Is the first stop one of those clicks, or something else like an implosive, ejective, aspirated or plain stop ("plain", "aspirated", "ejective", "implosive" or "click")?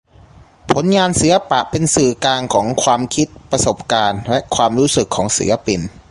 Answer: aspirated